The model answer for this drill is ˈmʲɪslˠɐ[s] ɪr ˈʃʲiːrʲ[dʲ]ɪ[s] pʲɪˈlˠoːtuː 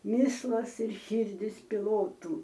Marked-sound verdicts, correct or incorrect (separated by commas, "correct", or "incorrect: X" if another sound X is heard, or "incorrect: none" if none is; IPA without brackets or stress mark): correct, correct, correct